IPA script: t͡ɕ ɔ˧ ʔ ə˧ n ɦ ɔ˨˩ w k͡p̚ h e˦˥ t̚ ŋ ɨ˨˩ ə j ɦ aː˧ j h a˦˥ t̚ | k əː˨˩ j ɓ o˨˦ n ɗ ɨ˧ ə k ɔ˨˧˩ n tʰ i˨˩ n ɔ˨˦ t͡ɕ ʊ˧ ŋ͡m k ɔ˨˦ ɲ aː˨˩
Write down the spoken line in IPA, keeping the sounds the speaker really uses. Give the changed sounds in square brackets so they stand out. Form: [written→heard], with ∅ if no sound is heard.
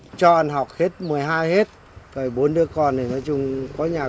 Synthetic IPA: t͡ɕ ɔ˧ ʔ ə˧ n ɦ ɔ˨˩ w k͡p̚ h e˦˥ t̚ [ŋ→m] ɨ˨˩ ə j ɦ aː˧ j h [a˦˥→e˦˥] t̚ | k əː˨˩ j ɓ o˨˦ n ɗ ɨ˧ ə k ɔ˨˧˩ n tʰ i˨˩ n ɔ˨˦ t͡ɕ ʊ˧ ŋ͡m k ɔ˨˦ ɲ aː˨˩